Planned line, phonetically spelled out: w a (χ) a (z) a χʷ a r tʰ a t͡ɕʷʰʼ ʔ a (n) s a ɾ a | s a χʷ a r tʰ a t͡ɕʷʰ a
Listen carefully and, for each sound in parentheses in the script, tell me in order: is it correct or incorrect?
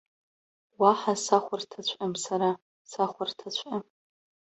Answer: incorrect: ħ, incorrect: s, incorrect: m

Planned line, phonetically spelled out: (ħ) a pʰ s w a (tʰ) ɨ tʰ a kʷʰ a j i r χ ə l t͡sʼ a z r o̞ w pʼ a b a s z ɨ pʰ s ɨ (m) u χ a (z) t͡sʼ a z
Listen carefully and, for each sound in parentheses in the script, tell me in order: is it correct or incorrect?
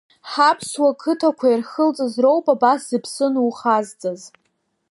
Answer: correct, incorrect: kʰ, incorrect: n, correct

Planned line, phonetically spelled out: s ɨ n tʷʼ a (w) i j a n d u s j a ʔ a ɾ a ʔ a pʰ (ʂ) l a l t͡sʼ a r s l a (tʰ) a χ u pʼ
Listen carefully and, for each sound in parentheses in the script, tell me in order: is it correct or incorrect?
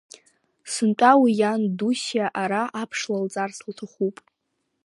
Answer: correct, correct, correct

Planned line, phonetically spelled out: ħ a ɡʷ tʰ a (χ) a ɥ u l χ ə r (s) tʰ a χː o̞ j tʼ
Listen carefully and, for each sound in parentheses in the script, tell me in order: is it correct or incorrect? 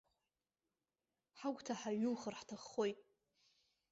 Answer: incorrect: ħ, incorrect: ħ

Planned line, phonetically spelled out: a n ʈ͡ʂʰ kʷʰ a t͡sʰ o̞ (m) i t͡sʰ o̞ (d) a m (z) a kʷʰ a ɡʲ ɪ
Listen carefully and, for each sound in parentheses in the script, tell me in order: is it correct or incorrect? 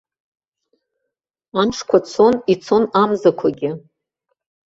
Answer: incorrect: n, incorrect: n, correct

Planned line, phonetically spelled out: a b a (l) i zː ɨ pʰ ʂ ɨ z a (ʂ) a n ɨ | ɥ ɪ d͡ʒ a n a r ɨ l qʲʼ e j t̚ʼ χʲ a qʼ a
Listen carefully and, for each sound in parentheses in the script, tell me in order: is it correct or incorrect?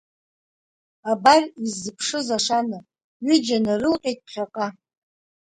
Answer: incorrect: r, correct

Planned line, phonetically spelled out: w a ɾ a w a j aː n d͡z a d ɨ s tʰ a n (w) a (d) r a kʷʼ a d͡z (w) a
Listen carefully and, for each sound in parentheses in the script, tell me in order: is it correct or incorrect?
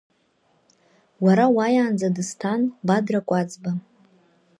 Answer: incorrect: b, correct, incorrect: b

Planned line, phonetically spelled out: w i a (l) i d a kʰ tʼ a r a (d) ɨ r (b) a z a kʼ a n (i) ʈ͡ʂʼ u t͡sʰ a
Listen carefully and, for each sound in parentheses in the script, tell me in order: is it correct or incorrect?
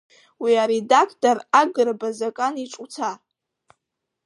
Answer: incorrect: ɾ, incorrect: ɡ, correct, correct

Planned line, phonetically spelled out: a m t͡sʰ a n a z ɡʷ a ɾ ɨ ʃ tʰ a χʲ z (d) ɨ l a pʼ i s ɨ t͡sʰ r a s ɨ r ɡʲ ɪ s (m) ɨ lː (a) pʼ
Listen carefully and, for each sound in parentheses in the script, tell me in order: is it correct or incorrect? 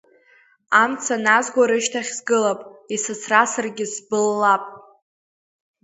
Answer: incorrect: ɡ, incorrect: b, correct

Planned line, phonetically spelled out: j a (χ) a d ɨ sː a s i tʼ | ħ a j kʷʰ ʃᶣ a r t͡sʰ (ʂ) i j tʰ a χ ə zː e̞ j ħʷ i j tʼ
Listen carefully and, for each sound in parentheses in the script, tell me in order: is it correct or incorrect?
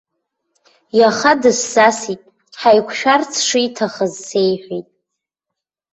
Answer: correct, correct

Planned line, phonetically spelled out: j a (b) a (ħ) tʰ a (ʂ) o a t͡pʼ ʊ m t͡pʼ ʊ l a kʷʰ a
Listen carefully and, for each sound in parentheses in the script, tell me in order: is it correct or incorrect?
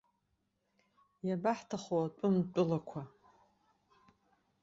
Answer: correct, correct, incorrect: χ

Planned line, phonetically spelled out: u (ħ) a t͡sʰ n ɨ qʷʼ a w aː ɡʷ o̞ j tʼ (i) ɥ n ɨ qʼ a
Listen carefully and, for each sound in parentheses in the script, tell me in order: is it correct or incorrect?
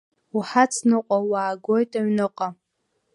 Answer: correct, incorrect: a

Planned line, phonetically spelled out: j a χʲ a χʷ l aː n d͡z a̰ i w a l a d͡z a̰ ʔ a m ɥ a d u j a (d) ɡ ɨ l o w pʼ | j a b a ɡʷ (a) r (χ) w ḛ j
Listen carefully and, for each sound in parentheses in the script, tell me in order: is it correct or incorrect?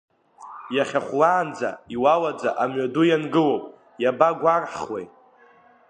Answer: incorrect: n, correct, incorrect: ħ

